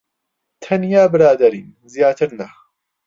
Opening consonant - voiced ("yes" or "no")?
no